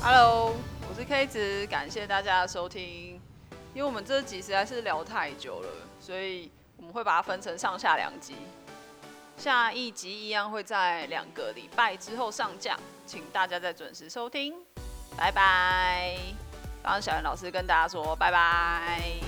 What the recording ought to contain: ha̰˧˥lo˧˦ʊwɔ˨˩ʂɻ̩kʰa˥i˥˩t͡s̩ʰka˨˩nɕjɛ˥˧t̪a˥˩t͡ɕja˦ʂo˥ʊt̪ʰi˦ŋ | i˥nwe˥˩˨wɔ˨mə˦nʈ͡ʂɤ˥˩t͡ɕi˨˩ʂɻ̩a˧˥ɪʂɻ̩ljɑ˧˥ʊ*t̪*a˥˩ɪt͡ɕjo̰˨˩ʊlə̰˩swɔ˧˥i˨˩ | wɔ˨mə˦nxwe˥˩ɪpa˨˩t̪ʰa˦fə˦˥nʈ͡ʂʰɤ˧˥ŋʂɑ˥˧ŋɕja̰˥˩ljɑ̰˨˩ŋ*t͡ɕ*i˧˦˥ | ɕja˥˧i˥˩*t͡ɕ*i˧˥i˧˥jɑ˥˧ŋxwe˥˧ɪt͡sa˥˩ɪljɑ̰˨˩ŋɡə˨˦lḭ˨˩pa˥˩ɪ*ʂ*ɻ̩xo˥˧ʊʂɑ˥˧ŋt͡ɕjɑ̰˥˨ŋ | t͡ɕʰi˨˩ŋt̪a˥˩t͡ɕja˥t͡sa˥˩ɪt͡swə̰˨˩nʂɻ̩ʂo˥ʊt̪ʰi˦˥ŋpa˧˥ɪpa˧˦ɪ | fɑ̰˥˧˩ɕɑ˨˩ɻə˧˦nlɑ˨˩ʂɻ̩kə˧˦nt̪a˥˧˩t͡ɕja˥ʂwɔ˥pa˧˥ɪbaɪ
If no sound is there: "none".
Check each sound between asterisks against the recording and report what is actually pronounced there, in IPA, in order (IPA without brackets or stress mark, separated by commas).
t̪ʰ, t͡ɕ, t͡ɕ, ʈ͡ʂ